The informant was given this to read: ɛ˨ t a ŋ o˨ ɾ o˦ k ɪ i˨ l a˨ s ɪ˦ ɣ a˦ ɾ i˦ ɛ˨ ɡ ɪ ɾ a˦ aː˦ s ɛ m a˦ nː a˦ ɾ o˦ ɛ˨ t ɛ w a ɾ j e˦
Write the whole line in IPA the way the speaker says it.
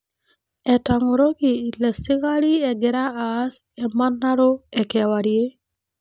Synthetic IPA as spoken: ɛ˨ t a ŋ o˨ ɾ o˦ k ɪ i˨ l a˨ s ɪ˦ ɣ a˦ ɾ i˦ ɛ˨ ɡ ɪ ɾ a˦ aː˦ s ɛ m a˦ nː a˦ ɾ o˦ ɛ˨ k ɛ w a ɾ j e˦